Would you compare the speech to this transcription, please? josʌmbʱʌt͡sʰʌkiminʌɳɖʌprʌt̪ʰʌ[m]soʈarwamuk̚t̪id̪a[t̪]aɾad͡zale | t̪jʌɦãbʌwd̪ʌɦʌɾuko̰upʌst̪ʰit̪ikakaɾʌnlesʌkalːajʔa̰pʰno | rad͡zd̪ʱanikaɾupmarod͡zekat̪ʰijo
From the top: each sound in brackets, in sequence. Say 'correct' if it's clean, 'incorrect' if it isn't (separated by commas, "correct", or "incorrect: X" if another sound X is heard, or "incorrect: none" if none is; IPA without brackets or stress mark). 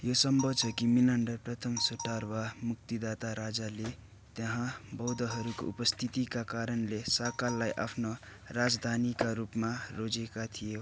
correct, correct